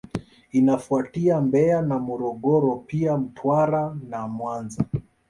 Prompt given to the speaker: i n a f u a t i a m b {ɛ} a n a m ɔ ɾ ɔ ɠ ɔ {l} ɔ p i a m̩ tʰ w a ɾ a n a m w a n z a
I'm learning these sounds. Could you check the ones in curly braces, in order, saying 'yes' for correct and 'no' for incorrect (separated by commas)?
yes, no